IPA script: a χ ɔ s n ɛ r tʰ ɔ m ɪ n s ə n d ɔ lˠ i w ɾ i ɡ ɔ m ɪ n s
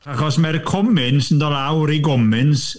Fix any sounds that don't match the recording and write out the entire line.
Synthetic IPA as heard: a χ ɔ s m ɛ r kʰ ɔ m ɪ n s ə n d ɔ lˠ a w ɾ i ɡ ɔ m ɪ n s